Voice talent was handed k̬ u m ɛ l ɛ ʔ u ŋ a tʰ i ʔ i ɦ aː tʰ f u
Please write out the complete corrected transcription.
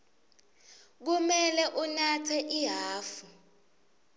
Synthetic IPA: k̬ u m ɛ l ɛ ʔ u n a tʰ ɛ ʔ i ɦ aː f u